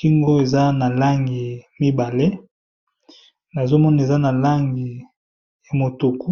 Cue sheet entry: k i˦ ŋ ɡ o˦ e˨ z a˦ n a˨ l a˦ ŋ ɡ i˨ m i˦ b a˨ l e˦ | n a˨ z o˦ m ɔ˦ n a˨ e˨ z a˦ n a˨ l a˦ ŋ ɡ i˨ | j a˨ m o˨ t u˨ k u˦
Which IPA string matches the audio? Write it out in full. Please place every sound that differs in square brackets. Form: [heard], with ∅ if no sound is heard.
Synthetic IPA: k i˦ ŋ ɡ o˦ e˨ z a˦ n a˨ l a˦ ŋ ɡ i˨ m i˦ b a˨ l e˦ | n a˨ z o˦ m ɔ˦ n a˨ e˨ z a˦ n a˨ l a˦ ŋ ɡ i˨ | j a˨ m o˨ t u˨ k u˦